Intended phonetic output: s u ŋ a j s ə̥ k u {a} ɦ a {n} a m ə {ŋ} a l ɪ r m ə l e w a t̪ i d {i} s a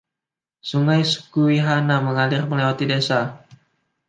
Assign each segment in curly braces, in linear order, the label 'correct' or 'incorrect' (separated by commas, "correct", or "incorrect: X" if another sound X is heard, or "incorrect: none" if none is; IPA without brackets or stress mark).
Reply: incorrect: i, correct, correct, incorrect: e